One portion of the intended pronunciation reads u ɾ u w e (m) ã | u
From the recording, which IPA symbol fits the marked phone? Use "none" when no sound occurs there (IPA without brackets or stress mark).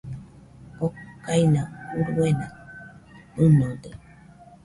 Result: n